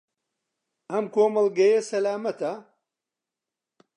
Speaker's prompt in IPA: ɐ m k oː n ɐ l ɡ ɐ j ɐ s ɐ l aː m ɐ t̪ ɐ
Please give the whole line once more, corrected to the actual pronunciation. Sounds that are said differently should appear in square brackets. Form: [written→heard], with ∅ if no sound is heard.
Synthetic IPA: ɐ m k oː [n→m] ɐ l ɡ ɐ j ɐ s ɐ l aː m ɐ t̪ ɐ